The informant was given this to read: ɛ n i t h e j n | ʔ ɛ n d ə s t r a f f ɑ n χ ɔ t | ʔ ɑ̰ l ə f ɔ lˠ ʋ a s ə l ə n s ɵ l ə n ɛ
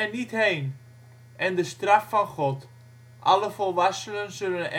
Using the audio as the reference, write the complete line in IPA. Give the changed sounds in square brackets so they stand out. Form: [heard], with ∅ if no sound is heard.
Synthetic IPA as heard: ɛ n i t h e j n | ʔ ɛ n d ə s t r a f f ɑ n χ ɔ t | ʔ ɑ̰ l ə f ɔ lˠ ʋ a s ə l ə n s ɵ l ə n ɛ